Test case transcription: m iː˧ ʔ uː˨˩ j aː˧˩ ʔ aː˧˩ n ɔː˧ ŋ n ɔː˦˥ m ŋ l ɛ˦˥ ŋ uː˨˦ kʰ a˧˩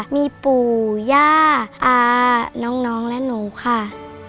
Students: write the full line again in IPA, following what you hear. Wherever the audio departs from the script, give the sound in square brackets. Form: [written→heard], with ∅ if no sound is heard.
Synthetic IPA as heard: m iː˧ [ʔ→p] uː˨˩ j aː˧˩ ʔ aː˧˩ n [ɔː˧→ɔː˦˥] ŋ n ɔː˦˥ [m→∅] ŋ l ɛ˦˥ [ŋ→n] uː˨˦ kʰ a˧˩